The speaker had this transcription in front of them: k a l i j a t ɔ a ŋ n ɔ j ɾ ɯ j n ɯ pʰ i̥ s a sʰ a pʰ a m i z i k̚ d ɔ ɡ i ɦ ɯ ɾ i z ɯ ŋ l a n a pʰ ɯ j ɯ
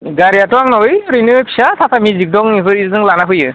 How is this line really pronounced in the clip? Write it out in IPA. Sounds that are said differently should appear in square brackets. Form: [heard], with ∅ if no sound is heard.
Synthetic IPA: [ɡ] a [ɾ] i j a t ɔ a ŋ n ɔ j ɾ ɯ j n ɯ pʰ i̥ s a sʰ a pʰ a m i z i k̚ d ɔ [ŋ] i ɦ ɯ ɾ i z ɯ ŋ l a n a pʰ ɯ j ɯ